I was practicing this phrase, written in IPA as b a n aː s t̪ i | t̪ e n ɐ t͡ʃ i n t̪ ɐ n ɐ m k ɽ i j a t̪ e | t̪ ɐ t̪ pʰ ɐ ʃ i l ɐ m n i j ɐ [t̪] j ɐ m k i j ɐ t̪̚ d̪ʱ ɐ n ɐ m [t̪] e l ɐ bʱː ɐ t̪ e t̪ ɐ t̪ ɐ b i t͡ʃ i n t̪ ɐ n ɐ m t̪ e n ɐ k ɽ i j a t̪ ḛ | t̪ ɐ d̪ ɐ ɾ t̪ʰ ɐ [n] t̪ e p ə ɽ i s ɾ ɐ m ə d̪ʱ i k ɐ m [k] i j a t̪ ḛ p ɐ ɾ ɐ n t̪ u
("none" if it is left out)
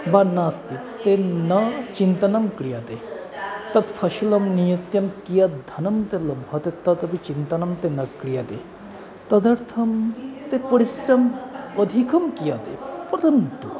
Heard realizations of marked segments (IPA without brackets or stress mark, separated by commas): t̪, t̪, m, k